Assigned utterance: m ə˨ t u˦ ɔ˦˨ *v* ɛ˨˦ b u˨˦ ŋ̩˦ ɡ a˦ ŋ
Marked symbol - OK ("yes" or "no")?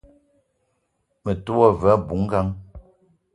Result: yes